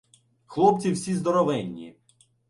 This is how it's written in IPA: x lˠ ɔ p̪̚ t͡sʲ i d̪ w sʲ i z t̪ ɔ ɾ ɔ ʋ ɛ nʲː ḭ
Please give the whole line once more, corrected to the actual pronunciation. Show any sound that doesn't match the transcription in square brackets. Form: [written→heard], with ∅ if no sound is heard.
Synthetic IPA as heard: x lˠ ɔ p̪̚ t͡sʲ i [d̪→∅] w sʲ i z [t̪→d̪] ɔ ɾ ɔ ʋ ɛ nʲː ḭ